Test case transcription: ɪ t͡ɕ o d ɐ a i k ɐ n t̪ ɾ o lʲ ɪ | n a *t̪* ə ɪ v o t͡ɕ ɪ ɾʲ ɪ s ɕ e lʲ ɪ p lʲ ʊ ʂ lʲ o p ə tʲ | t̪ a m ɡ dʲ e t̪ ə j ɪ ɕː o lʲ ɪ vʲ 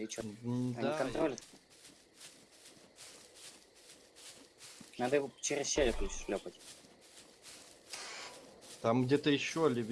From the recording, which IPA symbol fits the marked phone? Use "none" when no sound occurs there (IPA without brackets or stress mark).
d̪